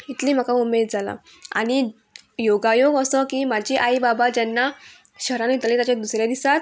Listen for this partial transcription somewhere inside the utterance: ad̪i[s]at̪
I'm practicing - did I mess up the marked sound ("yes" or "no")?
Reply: no